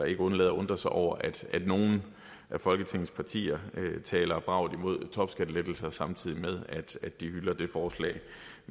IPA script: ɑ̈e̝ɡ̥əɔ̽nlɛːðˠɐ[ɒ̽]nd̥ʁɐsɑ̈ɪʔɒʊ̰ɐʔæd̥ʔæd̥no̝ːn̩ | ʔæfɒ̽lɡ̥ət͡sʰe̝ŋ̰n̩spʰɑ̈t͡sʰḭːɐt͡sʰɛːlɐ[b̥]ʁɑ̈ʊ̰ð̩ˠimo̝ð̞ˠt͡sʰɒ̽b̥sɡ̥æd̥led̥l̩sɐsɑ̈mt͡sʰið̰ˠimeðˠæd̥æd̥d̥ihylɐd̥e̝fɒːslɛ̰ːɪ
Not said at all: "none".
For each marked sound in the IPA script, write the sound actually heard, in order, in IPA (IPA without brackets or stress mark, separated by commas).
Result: ɔ̽, b̥